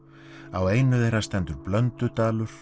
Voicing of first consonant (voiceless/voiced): voiced